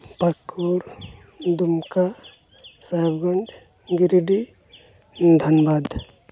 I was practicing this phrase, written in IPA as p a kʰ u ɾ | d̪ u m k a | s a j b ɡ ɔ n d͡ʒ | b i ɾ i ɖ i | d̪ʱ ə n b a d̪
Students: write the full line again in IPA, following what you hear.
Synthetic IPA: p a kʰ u ɾ | d̪ u m k a | s a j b ɡ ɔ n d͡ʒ | ɡ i ɾ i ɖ i | d̪ʱ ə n b a d̪

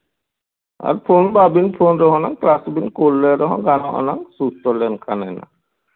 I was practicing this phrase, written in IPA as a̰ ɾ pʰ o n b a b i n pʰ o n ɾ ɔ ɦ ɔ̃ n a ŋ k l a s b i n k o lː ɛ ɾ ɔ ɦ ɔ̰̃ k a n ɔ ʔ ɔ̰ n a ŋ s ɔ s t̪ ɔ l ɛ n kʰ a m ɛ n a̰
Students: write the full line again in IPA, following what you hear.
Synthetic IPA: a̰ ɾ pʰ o n b a b i n pʰ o n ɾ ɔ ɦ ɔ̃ n a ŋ k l a s b i n k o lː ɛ ɾ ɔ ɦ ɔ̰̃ ɡ a n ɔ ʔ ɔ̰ n a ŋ s u s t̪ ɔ l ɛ n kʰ a n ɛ n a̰

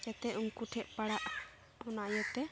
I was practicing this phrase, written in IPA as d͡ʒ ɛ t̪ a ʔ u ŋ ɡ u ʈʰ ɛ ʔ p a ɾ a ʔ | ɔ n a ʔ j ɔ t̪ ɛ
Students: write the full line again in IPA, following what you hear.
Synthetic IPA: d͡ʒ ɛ t̪ ɛ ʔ u ŋ k u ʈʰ ɛ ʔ p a ɽ a ʔ | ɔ n a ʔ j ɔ t̪ ɛ

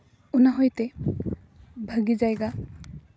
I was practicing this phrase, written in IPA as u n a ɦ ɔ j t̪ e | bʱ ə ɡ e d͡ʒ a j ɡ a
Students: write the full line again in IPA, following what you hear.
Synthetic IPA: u n a ɦ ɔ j t̪ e | bʱ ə ɡ i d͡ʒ a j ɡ a

